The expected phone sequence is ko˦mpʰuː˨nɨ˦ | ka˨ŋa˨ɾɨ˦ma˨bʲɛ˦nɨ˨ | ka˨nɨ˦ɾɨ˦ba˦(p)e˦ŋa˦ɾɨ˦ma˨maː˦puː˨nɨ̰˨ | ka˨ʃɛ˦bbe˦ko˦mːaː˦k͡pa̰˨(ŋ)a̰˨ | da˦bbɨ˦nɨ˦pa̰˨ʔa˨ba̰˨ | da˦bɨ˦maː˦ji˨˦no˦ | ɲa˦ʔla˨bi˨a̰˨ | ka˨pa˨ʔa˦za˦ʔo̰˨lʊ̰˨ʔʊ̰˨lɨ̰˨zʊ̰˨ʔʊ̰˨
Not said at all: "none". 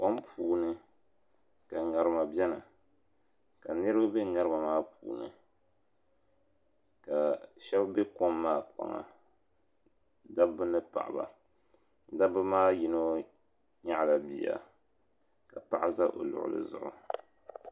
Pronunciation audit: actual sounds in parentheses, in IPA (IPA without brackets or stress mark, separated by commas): b, ŋ